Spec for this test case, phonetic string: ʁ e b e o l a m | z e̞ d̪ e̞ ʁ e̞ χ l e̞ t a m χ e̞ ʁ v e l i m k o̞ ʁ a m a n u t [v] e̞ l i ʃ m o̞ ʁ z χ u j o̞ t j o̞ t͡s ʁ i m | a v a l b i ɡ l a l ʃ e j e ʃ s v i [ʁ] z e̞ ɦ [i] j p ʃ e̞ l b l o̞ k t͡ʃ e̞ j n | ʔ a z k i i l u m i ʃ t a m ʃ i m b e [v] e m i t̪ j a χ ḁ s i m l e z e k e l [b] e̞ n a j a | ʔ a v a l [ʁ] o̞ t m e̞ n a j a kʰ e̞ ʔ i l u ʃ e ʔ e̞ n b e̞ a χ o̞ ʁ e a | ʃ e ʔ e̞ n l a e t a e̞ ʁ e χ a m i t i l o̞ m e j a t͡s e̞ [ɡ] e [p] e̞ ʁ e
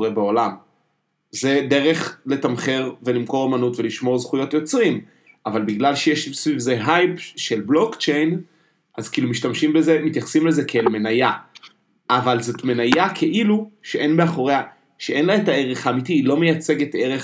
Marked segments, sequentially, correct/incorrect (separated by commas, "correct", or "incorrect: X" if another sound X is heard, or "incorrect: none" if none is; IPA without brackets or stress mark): correct, incorrect: v, incorrect: a, incorrect: z, incorrect: m, incorrect: z, correct, incorrect: t